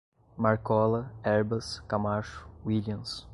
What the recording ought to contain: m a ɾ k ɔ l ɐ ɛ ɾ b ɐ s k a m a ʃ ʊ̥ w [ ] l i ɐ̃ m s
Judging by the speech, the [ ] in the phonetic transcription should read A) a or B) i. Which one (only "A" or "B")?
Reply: B